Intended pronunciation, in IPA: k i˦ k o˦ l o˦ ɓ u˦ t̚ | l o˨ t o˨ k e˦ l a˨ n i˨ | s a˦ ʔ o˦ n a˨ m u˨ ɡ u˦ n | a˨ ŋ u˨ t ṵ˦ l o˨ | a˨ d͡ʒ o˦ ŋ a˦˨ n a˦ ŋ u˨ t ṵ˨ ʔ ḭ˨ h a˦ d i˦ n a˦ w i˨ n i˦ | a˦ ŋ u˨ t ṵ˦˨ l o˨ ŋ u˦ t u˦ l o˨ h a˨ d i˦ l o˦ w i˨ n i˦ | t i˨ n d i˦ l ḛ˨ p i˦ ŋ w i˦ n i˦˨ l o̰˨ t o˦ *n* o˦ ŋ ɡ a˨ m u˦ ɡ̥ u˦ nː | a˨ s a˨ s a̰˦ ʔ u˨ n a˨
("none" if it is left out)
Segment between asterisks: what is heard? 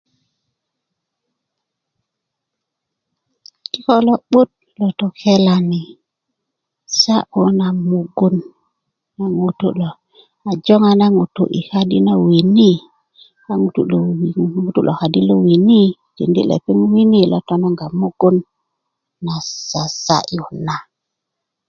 n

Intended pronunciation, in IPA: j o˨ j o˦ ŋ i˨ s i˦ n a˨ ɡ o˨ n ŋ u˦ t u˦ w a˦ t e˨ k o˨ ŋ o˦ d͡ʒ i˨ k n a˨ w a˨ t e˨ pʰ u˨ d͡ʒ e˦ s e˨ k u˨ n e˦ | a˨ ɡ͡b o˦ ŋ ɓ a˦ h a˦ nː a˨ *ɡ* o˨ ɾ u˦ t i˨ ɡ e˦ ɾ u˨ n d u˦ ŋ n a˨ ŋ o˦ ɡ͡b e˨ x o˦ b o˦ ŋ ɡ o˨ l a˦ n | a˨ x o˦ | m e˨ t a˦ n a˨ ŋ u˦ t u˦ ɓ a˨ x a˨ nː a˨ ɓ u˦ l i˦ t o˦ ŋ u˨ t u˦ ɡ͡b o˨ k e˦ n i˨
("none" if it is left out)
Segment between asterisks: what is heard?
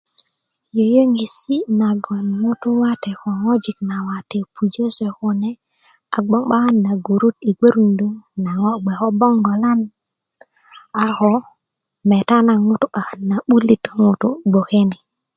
ɡ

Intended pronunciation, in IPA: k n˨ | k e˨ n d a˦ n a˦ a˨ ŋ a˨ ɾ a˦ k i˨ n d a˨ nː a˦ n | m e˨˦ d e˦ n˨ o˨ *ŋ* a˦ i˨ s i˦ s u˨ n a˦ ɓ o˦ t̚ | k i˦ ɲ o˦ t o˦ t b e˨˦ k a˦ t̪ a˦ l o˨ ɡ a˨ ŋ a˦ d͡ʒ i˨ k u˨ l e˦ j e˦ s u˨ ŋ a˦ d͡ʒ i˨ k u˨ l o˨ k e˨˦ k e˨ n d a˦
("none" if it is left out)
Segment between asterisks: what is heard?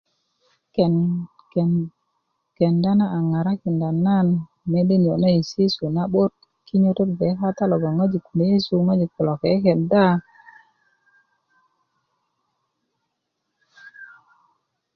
n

